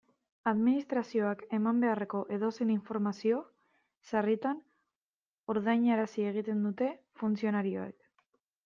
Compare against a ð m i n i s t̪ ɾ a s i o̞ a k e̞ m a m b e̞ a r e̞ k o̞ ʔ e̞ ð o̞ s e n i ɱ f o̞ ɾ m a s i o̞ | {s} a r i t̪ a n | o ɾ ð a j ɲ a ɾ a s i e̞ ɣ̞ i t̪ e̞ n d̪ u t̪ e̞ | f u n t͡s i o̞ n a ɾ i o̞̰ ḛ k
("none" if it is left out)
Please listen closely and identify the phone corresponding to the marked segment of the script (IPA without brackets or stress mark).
s